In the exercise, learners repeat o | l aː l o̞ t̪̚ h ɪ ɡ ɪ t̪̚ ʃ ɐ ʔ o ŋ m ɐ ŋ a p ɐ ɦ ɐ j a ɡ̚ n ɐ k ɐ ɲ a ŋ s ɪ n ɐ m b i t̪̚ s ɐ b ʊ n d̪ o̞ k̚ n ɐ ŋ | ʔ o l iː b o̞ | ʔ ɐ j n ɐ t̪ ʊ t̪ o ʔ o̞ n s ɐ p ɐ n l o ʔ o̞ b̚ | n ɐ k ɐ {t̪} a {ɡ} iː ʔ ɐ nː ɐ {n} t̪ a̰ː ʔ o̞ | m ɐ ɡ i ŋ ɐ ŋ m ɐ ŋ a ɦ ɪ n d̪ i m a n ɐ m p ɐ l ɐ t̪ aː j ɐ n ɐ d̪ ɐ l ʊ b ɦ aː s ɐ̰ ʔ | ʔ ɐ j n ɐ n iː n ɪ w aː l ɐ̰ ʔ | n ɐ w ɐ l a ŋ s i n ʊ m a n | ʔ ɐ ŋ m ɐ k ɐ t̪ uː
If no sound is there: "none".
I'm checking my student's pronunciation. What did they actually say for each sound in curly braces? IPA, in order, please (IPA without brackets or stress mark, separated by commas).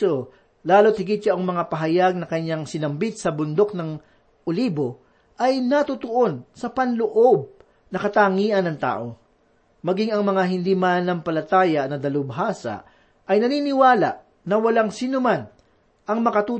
t̪, ŋ, ŋ